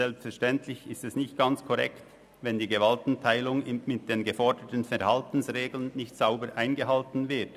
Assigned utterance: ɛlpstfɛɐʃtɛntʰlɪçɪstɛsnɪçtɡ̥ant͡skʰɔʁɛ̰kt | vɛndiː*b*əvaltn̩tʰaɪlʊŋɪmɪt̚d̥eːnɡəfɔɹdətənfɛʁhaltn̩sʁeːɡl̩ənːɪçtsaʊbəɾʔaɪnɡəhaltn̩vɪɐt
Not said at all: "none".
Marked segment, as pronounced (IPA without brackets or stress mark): ɡ